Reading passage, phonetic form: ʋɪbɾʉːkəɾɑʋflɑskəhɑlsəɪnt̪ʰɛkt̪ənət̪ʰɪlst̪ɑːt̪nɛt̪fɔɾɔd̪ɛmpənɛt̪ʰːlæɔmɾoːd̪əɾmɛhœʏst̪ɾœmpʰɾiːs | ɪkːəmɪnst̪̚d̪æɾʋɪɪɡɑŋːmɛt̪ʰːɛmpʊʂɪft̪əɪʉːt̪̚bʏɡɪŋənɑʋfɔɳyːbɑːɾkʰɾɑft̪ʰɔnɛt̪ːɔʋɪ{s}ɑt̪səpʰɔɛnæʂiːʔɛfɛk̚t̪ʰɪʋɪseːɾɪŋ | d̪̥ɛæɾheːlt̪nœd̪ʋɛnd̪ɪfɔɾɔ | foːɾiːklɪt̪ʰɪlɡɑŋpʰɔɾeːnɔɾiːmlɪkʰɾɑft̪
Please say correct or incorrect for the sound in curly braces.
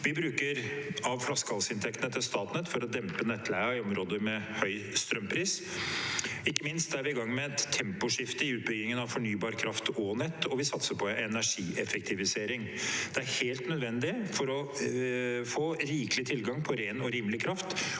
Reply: correct